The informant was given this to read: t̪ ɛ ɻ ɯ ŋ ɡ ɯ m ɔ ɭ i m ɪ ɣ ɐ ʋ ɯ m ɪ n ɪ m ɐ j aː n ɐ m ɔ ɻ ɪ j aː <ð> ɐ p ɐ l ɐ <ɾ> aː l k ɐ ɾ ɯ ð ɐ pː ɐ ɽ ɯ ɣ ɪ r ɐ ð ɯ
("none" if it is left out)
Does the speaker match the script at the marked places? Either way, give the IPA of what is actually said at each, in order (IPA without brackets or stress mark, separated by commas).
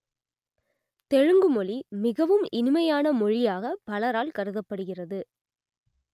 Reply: ɣ, ɾ